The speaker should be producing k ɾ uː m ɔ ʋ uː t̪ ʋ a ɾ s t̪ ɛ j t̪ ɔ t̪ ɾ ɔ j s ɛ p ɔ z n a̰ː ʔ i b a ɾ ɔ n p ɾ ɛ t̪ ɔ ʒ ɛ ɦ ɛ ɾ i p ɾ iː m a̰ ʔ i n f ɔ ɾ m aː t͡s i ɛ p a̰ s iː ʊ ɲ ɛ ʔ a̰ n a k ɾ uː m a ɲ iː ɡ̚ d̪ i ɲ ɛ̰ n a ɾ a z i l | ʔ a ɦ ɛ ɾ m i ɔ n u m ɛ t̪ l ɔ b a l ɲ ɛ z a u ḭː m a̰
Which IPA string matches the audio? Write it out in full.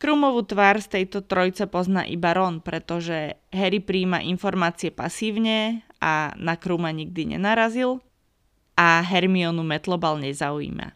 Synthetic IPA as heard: k ɾ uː m ɔ ʋ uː t̪ ʋ a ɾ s t̪ ɛ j t̪ ɔ t̪ ɾ ɔ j t͡s ɛ p ɔ z n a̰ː ʔ i b a ɾ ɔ n p ɾ ɛ t̪ ɔ ʒ ɛ ɦ ɛ ɾ i p ɾ iː m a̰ ʔ i n f ɔ ɾ m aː t͡s i ɛ p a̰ s iː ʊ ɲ ɛ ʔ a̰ n a k ɾ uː m a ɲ i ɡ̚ d̪ i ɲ ɛ̰ n a ɾ a z i l | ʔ a ɦ ɛ ɾ m i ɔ n u m ɛ t̪ l ɔ b a l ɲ ɛ z a u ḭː m a̰